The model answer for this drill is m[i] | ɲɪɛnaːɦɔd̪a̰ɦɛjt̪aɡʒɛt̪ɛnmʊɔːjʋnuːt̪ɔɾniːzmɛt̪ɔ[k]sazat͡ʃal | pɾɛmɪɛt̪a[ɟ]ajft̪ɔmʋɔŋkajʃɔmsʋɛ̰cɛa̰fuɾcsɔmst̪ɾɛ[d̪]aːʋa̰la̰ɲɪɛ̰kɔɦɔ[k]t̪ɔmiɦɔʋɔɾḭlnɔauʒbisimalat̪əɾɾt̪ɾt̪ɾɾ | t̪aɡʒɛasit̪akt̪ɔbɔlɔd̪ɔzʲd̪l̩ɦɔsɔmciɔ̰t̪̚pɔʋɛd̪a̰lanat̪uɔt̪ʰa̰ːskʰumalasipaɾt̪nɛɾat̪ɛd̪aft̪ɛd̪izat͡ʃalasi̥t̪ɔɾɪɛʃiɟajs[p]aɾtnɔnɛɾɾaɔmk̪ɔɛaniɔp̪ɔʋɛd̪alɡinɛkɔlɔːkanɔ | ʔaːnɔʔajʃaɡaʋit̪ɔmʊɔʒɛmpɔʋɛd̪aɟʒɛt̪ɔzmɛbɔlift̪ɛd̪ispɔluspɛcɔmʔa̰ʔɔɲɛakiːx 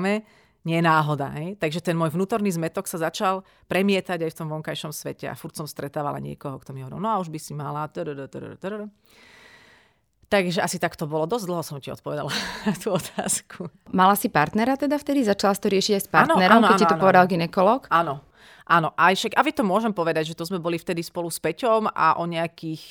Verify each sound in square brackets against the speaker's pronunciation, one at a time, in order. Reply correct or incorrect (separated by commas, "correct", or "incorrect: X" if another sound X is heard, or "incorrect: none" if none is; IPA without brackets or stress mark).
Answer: incorrect: ɛ, correct, correct, incorrect: t̪, correct, correct